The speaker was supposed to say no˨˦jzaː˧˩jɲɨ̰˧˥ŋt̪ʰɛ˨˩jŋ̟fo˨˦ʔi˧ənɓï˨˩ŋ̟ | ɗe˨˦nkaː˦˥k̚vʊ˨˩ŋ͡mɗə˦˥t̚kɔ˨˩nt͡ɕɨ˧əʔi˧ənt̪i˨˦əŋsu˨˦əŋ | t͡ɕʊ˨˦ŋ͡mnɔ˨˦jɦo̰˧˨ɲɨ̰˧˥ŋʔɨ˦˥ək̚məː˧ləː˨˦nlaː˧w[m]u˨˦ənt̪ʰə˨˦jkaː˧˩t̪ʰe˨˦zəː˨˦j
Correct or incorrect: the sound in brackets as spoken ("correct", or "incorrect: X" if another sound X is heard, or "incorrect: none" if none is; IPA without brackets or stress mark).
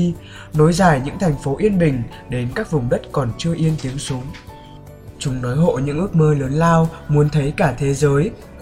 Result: correct